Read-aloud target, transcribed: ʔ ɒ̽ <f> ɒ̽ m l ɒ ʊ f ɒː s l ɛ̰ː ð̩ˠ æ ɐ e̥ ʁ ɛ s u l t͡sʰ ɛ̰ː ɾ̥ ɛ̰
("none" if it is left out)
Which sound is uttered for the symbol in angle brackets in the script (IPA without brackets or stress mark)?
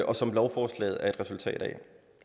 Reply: s